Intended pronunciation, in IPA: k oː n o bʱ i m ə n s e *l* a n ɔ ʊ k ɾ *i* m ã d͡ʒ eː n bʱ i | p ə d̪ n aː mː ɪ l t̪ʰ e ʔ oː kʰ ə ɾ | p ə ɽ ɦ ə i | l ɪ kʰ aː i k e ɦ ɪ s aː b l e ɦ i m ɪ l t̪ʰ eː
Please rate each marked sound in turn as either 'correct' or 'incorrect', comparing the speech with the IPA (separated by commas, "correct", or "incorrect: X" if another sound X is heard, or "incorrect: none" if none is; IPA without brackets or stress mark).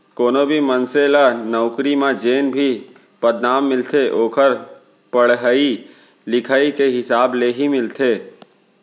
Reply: correct, correct